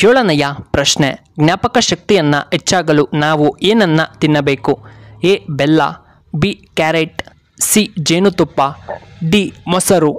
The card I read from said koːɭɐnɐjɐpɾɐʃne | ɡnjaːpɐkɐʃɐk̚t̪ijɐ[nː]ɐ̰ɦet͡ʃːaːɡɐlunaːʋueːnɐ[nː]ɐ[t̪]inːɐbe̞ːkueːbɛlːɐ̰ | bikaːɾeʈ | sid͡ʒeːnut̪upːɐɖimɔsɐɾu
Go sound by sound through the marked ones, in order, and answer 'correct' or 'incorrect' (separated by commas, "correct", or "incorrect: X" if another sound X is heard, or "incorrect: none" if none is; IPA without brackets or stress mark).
correct, correct, correct